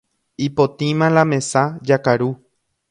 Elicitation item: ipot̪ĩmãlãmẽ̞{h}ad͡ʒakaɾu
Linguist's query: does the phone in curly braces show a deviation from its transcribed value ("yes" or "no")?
yes